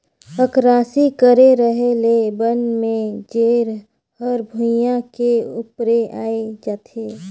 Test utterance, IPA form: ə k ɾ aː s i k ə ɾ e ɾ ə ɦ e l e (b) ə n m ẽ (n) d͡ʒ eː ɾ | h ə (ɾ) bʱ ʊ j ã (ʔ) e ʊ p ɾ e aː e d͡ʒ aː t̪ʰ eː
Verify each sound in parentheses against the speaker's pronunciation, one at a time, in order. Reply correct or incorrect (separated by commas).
correct, incorrect, correct, incorrect